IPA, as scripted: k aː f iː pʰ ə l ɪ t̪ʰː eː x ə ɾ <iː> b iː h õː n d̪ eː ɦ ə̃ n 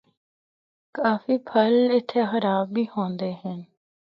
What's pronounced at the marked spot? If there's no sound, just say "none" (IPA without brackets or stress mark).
aː